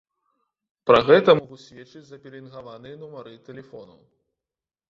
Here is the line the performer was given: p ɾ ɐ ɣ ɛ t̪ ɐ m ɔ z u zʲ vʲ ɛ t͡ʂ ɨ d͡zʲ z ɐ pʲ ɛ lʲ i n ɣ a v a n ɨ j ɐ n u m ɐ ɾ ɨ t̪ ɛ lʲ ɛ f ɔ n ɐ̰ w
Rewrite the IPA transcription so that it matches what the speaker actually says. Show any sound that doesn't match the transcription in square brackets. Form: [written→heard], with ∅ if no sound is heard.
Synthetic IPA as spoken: p ɾ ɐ ɣ ɛ t̪ ɐ m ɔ [z→ɣ] u [zʲ→sʲ] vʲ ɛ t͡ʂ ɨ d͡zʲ z ɐ pʲ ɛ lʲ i n ɣ a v a n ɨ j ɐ n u m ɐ ɾ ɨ t̪ ɛ lʲ ɛ f ɔ n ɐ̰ w

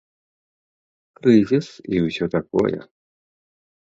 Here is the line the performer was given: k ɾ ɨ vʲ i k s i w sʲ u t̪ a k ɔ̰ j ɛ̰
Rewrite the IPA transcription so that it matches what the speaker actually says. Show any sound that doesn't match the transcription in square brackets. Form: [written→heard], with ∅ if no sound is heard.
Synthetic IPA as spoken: k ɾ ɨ [vʲ→zʲ] i [k→∅] s i w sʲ [u→ɔ] t̪ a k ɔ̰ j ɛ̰

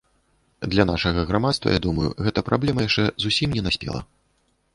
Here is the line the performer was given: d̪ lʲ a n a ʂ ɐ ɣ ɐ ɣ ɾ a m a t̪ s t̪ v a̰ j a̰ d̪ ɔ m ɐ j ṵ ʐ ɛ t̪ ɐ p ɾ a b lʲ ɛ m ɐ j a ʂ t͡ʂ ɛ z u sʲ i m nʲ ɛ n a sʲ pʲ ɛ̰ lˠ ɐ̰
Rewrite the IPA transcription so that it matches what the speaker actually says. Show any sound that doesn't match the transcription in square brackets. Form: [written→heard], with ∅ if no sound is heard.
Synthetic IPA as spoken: d̪ lʲ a n a ʂ ɐ ɣ ɐ ɣ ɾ a m a t̪ s t̪ v [a̰→ɐ̰] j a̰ d̪ [ɔ→u] m ɐ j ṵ [ʐ→ɣ] ɛ t̪ ɐ p ɾ a b lʲ ɛ m ɐ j a ʂ t͡ʂ ɛ z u sʲ i m nʲ ɛ n a sʲ pʲ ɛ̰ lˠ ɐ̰

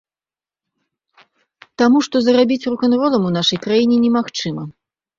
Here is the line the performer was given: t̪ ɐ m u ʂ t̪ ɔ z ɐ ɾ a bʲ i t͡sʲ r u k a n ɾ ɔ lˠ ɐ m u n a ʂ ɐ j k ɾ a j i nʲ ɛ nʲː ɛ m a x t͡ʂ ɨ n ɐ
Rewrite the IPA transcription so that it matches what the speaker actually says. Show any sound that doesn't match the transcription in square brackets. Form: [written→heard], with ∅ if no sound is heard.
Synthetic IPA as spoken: t̪ [ɐ→a] m u ʂ t̪ ɔ z ɐ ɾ a bʲ i t͡sʲ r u k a n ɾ ɔ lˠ ɐ m u n a ʂ ɐ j k ɾ a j i nʲ ɛ [nʲː→nʲ] ɛ m a x t͡ʂ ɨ [n→m] ɐ

